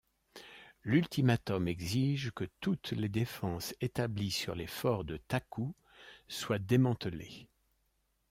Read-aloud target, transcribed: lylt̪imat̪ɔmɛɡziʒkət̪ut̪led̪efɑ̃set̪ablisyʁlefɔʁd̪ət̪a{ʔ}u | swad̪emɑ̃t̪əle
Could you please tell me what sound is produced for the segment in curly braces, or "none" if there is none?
k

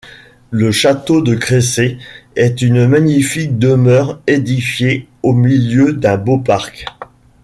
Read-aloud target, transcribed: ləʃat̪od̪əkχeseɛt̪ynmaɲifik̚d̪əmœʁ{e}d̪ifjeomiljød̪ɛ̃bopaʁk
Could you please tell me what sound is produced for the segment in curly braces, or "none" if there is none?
e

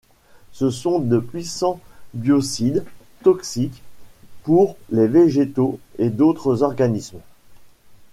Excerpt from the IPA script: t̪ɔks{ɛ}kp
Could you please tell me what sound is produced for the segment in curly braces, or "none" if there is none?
i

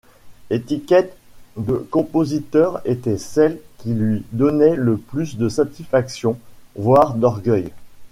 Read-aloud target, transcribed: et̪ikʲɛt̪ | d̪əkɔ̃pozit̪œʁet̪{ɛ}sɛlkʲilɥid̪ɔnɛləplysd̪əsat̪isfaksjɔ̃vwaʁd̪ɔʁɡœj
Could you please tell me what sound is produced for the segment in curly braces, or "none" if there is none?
ɛ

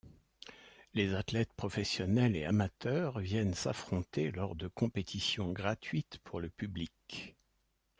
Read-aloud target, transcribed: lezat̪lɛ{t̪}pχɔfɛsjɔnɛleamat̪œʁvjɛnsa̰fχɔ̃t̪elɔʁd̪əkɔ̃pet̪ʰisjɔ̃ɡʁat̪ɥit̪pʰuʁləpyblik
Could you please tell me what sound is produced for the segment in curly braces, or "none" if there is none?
t̪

